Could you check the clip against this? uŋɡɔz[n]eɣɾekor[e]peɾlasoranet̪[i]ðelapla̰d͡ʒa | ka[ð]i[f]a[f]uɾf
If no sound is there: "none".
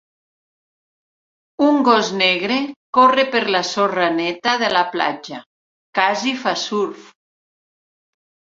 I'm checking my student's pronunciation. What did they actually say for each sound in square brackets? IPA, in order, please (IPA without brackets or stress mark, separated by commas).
n, e, a, z, f, s